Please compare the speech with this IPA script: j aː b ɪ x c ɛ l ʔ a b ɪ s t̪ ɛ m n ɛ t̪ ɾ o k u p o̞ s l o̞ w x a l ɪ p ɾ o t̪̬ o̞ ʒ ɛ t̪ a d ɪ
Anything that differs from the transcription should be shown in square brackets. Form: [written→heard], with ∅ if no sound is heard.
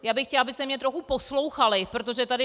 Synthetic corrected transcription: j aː b ɪ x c ɛ l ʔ a b ɪ s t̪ ɛ m [n→ɲ] ɛ t̪ ɾ o [k→x] u p o̞ s l o̞ w x a l ɪ p ɾ o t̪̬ o̞ ʒ ɛ t̪ a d ɪ